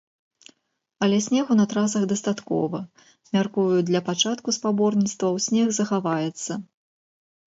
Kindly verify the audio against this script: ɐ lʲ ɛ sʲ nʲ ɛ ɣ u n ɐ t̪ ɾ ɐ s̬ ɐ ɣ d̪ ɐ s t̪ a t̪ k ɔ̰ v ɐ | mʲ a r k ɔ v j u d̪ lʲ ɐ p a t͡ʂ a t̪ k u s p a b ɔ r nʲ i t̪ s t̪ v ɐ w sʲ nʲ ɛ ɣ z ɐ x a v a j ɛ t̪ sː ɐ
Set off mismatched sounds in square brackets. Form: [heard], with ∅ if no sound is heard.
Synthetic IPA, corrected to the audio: ɐ lʲ ɛ sʲ nʲ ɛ ɣ u n ɐ t̪ ɾ [a] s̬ ɐ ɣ d̪ ɐ s t̪ a t̪ k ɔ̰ v ɐ | mʲ a r k [u] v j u d̪ lʲ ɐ p a t͡ʂ a t̪ k u s p a b ɔ r nʲ i t̪ s t̪ v ɐ w sʲ nʲ ɛ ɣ z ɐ x a v a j ɛ t̪ sː ɐ